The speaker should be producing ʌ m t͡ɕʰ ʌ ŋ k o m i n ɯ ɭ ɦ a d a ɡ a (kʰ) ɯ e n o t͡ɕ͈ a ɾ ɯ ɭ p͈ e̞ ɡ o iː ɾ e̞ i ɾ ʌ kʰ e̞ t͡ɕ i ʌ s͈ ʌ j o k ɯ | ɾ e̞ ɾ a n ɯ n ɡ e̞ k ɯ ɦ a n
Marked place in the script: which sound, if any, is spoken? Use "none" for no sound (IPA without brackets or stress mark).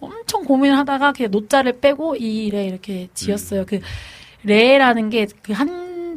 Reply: k